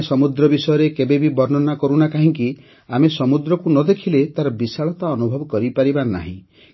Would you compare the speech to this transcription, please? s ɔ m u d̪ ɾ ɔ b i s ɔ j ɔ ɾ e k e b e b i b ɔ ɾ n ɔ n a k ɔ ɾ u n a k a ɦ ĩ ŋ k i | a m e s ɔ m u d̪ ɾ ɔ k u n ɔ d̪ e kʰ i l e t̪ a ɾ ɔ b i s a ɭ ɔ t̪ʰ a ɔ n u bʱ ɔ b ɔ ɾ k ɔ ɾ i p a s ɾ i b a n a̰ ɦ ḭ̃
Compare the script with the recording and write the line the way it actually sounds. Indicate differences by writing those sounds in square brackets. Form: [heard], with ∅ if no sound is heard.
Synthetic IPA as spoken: s ɔ m u d̪ ɾ ɔ b i s ɔ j ɔ ɾ e k e b e b i b ɔ ɾ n ɔ n a k ɔ ɾ u n a k a ɦ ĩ ŋ k i | a m e s ɔ m u d̪ ɾ ɔ k u n ɔ d̪ e kʰ i l e t̪ a ɾ ɔ b i s a ɭ ɔ [t̪] a ɔ n u bʱ ɔ b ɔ [∅] k ɔ ɾ i p a [∅] ɾ i b a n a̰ ɦ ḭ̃